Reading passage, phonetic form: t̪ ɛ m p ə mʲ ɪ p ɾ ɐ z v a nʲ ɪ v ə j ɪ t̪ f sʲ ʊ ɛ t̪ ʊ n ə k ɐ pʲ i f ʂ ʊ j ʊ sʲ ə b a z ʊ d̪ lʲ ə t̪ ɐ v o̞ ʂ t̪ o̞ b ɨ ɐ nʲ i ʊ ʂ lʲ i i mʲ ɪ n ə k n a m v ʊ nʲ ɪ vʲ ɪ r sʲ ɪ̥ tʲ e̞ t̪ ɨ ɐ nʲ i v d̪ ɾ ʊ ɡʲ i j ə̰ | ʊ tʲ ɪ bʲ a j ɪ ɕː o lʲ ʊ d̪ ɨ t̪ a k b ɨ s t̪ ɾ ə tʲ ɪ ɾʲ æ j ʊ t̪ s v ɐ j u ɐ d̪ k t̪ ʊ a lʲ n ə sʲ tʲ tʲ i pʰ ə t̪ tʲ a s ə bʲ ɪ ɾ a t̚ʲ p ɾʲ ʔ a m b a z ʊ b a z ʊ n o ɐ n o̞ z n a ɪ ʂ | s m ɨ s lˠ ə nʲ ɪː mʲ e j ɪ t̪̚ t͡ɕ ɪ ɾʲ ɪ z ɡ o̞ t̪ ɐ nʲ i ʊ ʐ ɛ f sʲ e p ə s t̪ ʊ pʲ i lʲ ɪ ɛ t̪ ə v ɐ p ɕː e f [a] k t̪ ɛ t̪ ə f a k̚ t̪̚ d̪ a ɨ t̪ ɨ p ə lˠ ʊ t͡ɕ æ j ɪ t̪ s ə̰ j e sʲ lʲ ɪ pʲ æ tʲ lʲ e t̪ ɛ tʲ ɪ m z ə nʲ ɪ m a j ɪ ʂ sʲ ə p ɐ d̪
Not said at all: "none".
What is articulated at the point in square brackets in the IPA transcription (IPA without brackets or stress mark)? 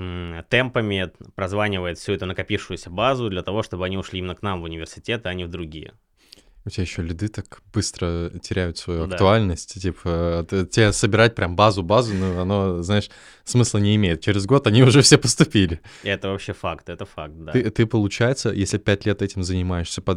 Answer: a